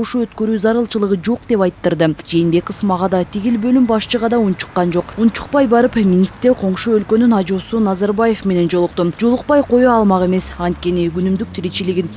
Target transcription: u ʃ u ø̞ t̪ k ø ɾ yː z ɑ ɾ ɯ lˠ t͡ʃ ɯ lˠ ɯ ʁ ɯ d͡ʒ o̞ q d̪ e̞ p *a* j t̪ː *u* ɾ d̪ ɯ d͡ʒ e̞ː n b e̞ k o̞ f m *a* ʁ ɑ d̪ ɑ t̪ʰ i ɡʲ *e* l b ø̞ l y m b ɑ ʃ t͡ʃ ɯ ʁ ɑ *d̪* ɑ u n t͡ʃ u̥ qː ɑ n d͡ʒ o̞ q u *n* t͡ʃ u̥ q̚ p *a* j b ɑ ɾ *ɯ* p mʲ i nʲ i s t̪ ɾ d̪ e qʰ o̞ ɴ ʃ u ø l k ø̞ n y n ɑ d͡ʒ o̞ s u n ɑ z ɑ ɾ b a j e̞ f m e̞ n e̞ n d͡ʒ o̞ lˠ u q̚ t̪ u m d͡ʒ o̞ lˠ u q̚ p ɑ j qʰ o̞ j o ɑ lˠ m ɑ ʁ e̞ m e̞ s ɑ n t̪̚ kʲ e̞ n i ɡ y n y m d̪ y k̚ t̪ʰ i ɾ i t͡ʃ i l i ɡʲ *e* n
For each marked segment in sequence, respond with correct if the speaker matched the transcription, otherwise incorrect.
incorrect: ɑ, incorrect: ɯ, incorrect: ɑ, incorrect: i, correct, correct, incorrect: ɑ, correct, incorrect: i

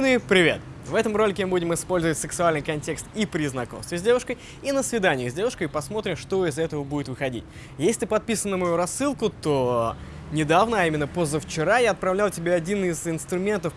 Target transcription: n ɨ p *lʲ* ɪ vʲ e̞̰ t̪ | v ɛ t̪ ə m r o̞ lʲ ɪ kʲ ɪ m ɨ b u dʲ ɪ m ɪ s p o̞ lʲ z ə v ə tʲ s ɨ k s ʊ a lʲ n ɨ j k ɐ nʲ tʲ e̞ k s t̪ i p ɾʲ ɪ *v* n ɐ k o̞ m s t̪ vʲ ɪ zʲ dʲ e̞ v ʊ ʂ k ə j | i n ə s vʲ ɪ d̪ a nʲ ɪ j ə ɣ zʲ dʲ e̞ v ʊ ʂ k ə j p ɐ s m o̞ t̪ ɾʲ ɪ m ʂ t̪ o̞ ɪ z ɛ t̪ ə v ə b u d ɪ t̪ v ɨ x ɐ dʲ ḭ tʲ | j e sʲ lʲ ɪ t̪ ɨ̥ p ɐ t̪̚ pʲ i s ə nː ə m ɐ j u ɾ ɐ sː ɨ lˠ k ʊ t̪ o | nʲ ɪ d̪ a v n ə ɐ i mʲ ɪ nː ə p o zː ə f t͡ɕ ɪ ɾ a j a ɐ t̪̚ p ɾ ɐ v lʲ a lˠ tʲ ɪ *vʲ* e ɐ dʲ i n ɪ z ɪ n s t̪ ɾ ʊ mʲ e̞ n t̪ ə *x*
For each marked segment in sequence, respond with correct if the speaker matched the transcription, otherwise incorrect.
incorrect: ɾʲ, incorrect: z, incorrect: bʲ, incorrect: f

